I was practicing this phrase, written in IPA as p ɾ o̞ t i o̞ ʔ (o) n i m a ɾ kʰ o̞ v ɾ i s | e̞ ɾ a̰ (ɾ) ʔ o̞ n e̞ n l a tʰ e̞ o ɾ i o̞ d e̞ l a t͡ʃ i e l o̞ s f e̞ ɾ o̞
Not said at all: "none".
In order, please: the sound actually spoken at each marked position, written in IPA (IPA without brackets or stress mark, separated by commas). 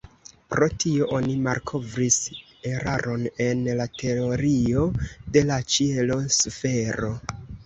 o, ɾ